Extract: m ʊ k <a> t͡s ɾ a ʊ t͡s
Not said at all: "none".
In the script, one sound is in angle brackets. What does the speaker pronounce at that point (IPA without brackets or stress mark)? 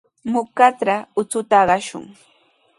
a